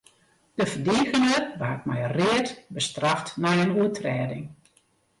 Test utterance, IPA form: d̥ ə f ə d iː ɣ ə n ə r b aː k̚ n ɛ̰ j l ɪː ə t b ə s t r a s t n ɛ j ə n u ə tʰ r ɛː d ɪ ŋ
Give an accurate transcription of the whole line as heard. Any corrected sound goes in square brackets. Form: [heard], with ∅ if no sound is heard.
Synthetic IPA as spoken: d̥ ə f ə d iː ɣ ə n ə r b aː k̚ [m] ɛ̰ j [r] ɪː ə t b ə s t r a [f] t n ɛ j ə n u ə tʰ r ɛː d ɪ ŋ